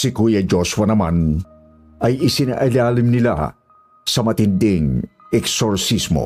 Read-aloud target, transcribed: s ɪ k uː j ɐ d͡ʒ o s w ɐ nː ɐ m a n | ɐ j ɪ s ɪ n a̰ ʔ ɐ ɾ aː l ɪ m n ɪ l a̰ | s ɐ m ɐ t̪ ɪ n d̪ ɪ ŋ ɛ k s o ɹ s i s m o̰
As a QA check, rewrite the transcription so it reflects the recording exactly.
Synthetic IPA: s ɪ k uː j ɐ d͡ʒ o s w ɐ n ɐ m a n | ɐ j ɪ s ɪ n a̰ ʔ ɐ l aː l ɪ m n ɪ l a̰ | s ɐ m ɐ t̪ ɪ n d̪ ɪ ŋ ɛ k s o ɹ s i s m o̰